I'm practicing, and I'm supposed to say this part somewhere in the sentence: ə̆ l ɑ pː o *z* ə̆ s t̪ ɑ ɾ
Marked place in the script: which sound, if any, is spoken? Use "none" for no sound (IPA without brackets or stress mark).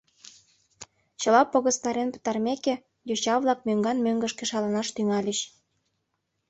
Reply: ɣ